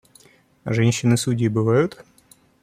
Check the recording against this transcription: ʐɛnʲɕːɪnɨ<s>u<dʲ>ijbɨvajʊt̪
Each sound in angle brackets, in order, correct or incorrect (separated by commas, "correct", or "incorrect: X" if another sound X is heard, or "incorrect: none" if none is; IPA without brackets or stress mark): correct, correct